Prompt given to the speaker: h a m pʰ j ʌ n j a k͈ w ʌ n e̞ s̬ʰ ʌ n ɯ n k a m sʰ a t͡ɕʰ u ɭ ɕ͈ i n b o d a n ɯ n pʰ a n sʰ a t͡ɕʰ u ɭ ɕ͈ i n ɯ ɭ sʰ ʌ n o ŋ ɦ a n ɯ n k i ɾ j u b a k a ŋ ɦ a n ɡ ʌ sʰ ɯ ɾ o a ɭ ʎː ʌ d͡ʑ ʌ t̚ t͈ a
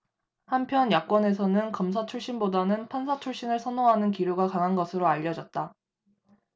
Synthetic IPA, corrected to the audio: h a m pʰ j ʌ n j a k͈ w ʌ n e̞ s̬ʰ ʌ n ɯ n k ʌ m sʰ a t͡ɕʰ u ɭ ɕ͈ i n b o d a n ɯ n pʰ a n sʰ a t͡ɕʰ u ɭ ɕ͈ i n ɯ ɭ sʰ ʌ n o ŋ ɦ a n ɯ n k i ɾ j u ɡ a k a ŋ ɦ a n ɡ ʌ sʰ ɯ ɾ o a ʎː ʌ d͡ʑ ʌ t̚ t͈ a